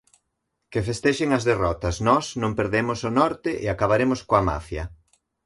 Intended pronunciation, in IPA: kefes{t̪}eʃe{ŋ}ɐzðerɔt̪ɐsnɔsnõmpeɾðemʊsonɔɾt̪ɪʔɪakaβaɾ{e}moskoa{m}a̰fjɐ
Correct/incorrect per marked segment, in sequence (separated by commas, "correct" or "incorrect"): correct, correct, correct, correct